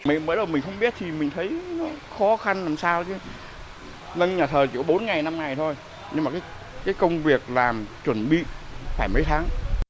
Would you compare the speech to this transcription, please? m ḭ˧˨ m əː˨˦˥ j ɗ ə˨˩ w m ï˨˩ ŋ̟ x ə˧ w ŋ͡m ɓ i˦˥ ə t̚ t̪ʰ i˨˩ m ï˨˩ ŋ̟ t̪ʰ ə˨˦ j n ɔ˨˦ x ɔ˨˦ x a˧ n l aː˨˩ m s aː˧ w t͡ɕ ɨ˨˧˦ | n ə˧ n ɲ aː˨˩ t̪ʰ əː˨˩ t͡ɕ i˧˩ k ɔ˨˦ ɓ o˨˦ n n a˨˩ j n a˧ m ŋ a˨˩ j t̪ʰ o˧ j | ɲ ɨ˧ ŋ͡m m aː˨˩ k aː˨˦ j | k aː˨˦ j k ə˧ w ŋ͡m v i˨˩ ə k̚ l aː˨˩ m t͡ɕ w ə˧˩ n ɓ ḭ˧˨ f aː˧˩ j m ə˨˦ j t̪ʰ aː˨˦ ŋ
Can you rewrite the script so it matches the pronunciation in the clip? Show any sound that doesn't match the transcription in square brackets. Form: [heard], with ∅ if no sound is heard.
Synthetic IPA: m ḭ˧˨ m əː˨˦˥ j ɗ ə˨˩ w m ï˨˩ ŋ̟ x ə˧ w ŋ͡m ɓ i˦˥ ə t̚ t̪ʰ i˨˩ m ï˨˩ ŋ̟ t̪ʰ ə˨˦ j n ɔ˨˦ x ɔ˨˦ x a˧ n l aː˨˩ m s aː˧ w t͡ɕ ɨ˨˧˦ | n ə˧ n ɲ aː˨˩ t̪ʰ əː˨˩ t͡ɕ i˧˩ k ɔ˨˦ ɓ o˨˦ n [ŋ] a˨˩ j n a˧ m ŋ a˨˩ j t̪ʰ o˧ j | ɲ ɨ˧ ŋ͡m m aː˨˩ k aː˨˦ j | k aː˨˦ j k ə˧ w ŋ͡m v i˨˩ ə k̚ l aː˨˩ m t͡ɕ w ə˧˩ n ɓ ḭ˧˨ f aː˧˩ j m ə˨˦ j t̪ʰ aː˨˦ ŋ